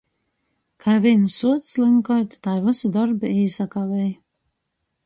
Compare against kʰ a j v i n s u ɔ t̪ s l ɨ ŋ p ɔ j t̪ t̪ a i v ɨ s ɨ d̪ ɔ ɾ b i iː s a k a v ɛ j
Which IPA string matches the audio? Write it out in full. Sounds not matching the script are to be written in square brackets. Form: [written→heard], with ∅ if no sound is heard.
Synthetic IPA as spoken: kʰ a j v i n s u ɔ t̪ s l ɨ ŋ [p→k] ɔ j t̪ t̪ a [i→j] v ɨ s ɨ d̪ ɔ ɾ b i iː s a k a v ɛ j